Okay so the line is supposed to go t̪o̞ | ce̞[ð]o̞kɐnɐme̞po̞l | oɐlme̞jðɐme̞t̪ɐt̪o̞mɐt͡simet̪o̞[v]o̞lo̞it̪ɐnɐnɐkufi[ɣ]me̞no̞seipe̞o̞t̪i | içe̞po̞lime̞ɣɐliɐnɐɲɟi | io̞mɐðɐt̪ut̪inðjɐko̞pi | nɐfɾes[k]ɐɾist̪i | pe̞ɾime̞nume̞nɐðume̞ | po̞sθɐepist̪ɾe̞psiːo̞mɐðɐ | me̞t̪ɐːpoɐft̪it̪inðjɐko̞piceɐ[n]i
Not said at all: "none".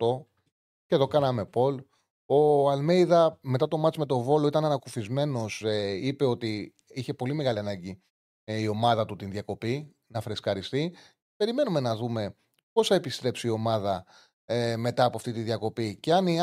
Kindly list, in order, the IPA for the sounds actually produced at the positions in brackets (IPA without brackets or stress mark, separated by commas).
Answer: ð, v, z, k, n